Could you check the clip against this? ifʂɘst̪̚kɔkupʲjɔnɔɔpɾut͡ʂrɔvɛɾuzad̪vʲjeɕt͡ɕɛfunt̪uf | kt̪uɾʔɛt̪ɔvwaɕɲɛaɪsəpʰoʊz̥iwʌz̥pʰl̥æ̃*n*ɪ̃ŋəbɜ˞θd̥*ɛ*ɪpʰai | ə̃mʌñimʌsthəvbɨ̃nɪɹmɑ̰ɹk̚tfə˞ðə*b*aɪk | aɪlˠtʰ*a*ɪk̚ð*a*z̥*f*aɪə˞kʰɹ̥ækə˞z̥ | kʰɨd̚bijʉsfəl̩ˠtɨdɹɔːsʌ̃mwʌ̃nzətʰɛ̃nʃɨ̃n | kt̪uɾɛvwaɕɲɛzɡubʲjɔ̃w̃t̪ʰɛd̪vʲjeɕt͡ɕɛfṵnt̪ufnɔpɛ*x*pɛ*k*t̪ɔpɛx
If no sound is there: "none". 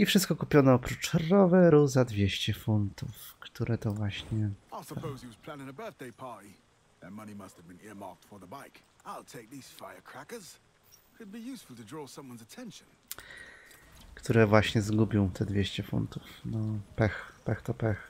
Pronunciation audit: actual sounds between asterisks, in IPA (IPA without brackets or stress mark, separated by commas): n, e, b, e, i, f, x, x